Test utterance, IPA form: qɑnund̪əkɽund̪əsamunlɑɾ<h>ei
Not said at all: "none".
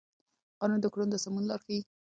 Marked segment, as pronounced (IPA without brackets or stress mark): x